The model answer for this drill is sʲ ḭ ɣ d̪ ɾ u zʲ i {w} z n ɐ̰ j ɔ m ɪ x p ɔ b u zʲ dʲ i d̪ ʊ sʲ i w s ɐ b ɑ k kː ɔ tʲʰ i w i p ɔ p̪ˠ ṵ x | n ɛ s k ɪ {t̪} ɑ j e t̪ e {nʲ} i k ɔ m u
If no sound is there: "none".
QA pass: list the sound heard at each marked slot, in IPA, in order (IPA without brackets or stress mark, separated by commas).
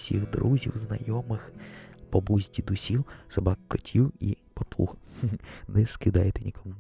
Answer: w, d̪, nʲ